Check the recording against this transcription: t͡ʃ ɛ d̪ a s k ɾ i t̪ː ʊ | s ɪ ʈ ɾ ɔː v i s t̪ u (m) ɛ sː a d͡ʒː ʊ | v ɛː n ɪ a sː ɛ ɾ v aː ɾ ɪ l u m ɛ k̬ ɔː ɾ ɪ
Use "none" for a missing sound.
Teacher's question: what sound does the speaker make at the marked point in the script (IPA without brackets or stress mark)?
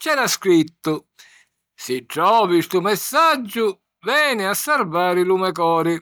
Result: m